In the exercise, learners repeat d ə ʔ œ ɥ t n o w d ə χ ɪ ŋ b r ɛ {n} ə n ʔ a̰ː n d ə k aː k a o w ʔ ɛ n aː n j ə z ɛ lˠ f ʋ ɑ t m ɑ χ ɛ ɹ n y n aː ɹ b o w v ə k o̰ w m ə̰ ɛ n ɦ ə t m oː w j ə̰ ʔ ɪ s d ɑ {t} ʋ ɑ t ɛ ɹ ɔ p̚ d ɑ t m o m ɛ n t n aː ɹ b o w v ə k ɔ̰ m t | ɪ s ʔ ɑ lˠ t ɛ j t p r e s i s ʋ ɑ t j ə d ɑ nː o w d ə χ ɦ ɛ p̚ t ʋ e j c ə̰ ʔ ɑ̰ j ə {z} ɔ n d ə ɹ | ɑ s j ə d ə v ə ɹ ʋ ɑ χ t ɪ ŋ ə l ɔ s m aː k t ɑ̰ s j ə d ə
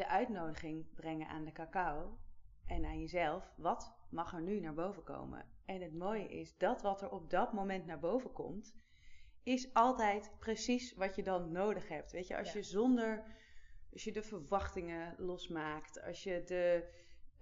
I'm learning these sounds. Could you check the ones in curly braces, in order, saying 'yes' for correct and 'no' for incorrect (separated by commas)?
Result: no, yes, yes